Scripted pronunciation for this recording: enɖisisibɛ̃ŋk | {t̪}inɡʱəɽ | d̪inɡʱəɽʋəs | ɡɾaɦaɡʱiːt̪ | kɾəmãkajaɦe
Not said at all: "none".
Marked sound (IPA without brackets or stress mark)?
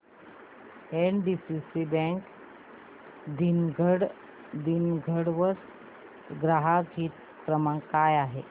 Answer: d̪